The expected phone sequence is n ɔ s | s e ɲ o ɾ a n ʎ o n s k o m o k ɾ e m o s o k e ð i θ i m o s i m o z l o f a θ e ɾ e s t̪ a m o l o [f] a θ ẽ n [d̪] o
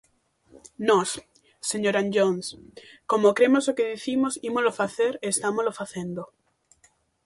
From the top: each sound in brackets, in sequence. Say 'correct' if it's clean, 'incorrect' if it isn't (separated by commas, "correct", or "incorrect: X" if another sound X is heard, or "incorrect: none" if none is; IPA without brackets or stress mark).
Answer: correct, correct